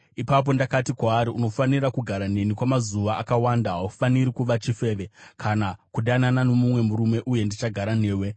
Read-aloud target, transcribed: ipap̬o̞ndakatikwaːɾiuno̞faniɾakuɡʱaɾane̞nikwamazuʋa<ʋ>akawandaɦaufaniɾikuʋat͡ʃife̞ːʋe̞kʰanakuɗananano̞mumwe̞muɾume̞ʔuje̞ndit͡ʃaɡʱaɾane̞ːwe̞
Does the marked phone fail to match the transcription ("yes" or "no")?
yes